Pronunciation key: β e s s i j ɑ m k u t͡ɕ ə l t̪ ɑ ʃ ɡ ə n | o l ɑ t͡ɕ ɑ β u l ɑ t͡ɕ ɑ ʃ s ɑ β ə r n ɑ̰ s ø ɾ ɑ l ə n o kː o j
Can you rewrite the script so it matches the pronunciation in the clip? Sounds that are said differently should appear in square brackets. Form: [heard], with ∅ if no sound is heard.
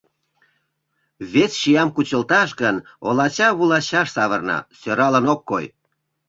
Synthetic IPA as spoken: β e s [ʃ] i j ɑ m k u t͡ɕ ə l t̪ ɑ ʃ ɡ ə n | o l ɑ t͡ɕ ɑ β u l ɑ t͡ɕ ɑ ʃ s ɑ β ə r n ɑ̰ s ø ɾ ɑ l ə n o kː o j